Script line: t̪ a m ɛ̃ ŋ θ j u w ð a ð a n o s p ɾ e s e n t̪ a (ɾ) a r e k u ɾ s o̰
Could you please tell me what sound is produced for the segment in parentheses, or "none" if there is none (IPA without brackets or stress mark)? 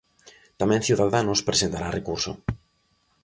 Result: ɾ